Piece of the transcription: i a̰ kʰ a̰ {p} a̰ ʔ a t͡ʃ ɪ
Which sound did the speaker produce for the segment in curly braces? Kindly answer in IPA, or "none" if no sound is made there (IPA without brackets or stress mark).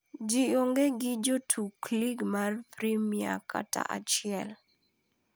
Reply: t